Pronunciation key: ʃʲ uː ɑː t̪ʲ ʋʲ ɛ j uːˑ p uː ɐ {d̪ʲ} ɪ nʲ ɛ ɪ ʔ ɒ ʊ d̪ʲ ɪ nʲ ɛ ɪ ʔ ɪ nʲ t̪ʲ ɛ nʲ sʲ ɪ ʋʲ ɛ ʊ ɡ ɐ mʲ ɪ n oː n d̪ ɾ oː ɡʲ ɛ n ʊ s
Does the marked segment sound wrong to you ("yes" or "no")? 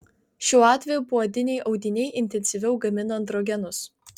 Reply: no